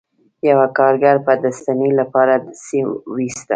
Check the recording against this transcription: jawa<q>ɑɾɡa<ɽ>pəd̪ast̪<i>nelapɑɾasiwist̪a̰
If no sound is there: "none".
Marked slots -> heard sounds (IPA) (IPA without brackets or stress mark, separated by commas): k, ɾ, a